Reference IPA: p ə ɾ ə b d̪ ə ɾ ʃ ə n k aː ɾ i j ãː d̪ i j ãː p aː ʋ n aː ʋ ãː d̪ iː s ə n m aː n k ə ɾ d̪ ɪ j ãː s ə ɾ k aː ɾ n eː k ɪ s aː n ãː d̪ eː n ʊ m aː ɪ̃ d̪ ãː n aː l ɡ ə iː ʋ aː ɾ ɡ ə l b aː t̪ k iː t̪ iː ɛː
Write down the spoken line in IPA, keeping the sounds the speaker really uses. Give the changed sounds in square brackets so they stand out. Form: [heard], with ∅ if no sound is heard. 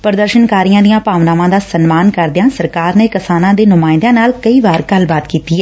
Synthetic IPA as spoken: p ə ɾ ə [∅] d̪ ə ɾ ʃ ə n k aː ɾ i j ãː d̪ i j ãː p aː ʋ n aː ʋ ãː d̪ [aː] s ə n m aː n k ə ɾ d̪ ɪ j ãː s ə ɾ k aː ɾ n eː k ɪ s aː n ãː d̪ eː n ʊ m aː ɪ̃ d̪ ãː n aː l [k] ə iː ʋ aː ɾ ɡ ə l b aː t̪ k iː t̪ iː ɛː